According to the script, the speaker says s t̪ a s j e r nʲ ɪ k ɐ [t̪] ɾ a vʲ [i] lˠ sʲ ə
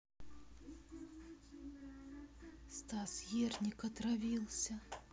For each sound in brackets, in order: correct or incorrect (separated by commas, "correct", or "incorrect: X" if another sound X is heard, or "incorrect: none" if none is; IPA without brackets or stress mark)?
correct, correct